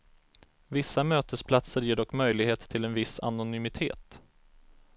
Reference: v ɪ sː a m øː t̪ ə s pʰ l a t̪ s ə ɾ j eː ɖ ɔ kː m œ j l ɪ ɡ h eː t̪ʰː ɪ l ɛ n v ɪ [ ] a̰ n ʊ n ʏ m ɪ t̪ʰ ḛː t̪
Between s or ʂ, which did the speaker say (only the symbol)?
s